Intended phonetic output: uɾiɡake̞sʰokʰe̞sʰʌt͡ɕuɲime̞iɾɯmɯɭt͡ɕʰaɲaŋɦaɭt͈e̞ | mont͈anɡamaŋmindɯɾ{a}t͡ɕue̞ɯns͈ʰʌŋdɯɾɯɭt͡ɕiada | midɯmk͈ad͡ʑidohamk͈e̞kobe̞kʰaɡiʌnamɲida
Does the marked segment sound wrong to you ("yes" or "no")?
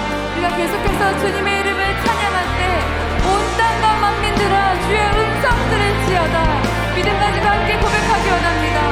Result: no